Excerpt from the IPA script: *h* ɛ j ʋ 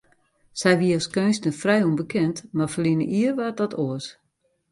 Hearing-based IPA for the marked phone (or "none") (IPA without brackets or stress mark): s